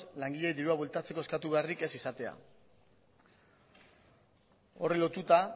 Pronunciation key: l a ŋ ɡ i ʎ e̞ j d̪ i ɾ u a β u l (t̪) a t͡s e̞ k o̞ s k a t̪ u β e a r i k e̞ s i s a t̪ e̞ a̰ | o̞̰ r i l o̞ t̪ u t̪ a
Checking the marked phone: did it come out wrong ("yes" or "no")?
no